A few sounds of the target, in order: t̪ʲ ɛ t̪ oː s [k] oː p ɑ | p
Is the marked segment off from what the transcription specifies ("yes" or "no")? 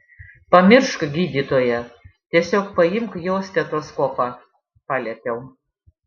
no